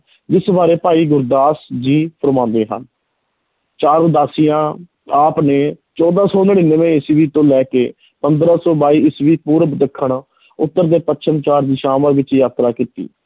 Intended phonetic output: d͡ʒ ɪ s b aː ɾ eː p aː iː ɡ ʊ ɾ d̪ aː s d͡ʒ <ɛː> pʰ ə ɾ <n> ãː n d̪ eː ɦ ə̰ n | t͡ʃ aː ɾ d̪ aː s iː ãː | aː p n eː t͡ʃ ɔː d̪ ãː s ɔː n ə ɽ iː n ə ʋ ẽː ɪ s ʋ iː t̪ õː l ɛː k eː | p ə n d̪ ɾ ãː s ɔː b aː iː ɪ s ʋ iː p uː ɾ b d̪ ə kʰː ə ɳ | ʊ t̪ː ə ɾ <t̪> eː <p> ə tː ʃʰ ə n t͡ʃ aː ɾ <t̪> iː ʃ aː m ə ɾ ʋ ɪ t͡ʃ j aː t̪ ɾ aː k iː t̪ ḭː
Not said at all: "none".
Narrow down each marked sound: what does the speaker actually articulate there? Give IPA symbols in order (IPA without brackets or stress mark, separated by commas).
iː, m, d̪, p, d̪